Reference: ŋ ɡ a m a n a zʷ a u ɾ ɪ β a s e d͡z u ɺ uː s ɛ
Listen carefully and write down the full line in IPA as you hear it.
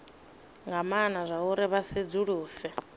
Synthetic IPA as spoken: ŋ ɡ a m a n a zʷ a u ɾ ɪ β a s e d͡z u ɺ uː s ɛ

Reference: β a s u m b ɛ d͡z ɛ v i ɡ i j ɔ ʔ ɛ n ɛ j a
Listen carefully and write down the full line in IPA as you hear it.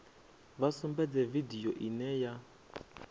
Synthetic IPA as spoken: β a s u m b ɛ d͡z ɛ v i d i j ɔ ʔ i n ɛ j a

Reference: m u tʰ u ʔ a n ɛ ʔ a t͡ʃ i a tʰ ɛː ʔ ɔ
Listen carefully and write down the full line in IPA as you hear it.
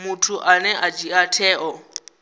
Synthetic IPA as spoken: m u tʰ u ʔ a n ɛ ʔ a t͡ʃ i a tʰ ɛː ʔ ɔ

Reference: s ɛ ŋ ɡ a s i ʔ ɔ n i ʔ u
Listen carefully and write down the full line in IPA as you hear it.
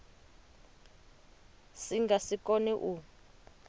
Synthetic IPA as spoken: s i ŋ ɡ a s i k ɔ n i ʔ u

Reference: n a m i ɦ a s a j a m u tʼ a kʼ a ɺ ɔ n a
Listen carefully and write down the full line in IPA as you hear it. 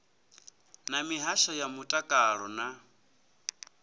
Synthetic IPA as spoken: n a m i ɦ a ʃ a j a m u tʼ a kʼ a ɺ ɔ n a

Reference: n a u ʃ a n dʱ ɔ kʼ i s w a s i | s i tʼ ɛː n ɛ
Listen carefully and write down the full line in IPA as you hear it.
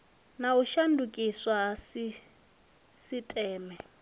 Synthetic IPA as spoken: n a u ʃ a n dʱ u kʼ i s w a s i | s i tʼ ɛː m ɛ

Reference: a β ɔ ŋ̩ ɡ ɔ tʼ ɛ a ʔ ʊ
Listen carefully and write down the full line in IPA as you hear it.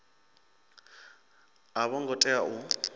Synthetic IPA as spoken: a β ɔ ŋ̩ ɡ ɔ tʼ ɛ a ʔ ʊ

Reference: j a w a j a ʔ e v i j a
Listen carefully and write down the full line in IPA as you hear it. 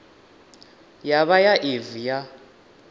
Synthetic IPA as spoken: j a β a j a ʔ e v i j a

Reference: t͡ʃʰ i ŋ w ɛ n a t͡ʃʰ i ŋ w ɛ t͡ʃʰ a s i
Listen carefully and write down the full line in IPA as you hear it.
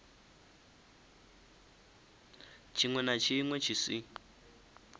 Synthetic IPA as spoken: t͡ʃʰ i ŋ w ɛ n a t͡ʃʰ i ŋ w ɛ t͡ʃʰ i s i

